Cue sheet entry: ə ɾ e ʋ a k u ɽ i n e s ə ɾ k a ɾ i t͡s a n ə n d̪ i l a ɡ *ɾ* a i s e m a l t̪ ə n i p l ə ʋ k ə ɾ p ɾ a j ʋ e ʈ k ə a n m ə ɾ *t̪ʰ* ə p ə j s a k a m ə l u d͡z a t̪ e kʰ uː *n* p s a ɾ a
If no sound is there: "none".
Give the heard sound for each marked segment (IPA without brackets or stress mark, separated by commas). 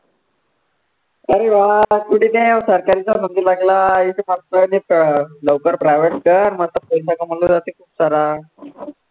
l, t̪, none